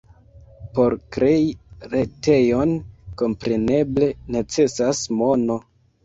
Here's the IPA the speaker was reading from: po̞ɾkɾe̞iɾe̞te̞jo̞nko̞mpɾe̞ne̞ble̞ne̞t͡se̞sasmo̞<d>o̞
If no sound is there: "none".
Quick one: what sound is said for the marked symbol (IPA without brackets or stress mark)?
n